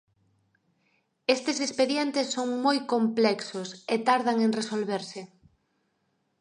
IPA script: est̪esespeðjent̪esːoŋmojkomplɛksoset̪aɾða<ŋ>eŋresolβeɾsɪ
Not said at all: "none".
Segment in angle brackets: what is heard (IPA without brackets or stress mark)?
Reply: ŋ